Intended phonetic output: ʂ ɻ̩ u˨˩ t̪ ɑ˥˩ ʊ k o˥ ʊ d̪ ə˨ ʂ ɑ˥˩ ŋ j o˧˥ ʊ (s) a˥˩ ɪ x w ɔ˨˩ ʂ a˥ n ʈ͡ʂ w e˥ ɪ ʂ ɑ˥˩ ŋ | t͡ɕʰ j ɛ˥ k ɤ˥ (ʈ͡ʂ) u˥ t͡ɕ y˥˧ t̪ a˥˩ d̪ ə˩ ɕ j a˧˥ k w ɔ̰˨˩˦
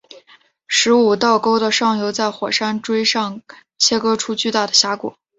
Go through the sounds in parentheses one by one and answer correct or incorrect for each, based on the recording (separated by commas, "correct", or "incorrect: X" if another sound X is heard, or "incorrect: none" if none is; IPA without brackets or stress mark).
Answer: incorrect: t͡s, incorrect: ʈ͡ʂʰ